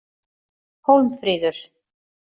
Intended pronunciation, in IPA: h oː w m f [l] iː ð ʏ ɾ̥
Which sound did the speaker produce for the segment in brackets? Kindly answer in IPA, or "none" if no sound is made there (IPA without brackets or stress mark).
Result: ɾ